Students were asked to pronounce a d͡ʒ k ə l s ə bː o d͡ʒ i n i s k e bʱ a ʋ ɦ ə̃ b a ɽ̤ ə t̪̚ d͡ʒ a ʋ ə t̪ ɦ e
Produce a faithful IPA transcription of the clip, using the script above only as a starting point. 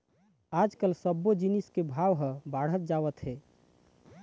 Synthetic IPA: a d͡ʒ k ə l s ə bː o d͡ʒ i n i s k e bʱ a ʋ ɦ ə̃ b a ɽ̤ ə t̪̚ d͡ʒ a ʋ ə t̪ ɦ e

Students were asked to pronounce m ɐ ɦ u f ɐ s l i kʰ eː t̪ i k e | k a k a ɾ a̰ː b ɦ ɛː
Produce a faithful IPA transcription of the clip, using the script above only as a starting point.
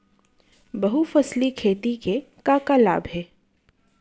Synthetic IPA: b ɐ ɦ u f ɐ s l i kʰ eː t̪ i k e | k a k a l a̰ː b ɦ ɛː

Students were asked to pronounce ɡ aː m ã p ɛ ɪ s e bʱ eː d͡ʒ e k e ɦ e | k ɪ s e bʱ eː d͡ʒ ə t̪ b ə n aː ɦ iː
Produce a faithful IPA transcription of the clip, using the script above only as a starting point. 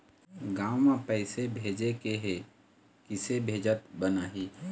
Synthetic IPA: ɡ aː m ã p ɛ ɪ s e bʱ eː d͡ʒ e k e ɦ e | k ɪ s e bʱ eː d͡ʒ ə t̪ b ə n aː ɦ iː

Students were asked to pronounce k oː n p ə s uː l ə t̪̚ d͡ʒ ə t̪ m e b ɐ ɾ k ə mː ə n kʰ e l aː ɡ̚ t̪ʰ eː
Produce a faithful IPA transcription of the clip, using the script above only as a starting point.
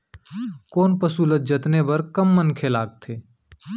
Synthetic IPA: k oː n p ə s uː l ə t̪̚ d͡ʒ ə t̪ n e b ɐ ɾ k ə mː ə n kʰ e l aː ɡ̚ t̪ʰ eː

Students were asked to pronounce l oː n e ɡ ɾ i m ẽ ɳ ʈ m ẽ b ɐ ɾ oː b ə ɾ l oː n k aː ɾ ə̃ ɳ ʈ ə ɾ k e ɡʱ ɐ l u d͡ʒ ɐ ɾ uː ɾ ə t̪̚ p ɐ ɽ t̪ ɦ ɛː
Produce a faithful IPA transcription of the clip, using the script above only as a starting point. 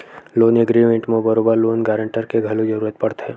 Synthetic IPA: l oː n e ɡ ɾ i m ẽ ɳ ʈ m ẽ b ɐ ɾ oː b ə ɾ l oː n ɡ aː ɾ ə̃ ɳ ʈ ə ɾ k e ɡʱ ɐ l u d͡ʒ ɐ ɾ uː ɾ ə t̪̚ p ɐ ɽ t̪ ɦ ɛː

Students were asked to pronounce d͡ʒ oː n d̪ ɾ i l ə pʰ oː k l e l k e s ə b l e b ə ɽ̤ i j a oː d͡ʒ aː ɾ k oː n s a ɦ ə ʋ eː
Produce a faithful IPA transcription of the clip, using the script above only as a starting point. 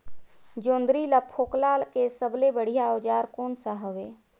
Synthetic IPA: d͡ʒ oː n d̪ ɾ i l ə pʰ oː k l a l k e s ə b l e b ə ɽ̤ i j a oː d͡ʒ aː ɾ k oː n s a ɦ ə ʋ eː

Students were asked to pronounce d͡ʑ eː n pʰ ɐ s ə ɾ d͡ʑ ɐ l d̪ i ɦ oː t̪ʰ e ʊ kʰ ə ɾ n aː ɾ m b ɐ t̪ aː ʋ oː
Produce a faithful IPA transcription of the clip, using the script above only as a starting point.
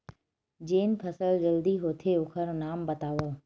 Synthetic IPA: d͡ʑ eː n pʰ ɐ s ə l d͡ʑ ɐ l d̪ i ɦ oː t̪ʰ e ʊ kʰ ə ɾ n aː m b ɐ t̪ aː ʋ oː

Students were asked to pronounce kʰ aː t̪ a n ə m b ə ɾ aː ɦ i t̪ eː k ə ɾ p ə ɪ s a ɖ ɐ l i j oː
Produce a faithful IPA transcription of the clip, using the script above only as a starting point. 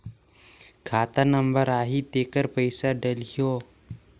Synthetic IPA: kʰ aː t̪ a n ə m b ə ɾ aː ɦ i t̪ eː k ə ɾ p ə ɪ s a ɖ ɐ l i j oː

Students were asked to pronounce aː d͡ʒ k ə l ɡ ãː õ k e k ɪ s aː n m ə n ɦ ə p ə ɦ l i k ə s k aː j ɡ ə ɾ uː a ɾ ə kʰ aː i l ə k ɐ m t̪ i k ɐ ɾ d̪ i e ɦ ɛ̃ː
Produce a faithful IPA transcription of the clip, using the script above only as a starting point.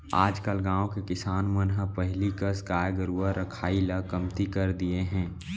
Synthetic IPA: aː d͡ʒ k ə l ɡ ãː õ k e k ɪ s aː n m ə n ɦ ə p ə ɦ l i k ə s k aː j ɡ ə ɾ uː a ɾ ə kʰ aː i l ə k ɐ m t̪ i k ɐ ɾ d̪ i e ɦ ɛ̃ː

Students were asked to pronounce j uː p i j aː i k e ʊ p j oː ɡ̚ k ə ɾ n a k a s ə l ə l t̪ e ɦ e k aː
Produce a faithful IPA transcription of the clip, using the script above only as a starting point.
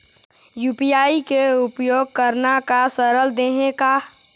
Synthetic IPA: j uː p i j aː i k e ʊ p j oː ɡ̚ k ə ɾ n a k a s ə ɾ ə l d̪ e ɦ e k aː

